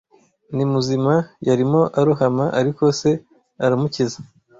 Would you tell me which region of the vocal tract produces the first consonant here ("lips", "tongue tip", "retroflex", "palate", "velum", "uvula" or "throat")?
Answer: tongue tip